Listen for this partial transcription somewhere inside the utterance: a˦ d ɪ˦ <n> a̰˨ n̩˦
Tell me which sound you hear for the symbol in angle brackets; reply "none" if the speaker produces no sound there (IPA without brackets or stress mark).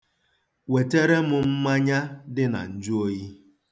n